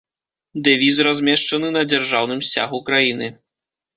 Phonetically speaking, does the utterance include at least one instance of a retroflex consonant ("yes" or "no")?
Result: yes